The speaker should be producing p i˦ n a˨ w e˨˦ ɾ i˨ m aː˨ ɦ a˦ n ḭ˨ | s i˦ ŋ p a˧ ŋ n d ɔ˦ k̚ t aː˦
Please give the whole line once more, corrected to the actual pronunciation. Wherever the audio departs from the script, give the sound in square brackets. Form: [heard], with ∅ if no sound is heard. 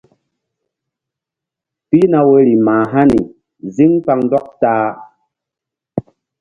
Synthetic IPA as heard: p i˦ n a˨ w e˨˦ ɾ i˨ m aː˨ ɦ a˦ n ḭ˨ | [z] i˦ ŋ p a˧ ŋ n d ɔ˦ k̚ t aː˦